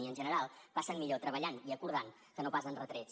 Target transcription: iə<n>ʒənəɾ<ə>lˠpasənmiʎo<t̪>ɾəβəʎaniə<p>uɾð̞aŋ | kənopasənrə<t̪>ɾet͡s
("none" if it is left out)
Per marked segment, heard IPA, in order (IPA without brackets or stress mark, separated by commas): n, a, t̪, k, t̪